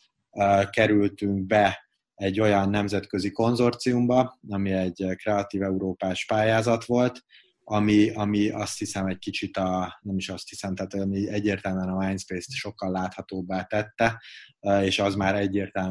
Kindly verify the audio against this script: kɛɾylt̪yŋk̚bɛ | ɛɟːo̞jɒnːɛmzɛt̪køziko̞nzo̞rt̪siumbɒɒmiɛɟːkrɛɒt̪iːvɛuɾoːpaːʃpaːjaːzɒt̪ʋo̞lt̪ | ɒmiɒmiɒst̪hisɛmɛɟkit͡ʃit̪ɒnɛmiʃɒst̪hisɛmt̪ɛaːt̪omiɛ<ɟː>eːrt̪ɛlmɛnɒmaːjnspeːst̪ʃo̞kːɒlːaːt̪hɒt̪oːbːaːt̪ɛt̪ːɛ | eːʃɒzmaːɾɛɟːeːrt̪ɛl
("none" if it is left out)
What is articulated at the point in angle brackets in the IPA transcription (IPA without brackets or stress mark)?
ɟː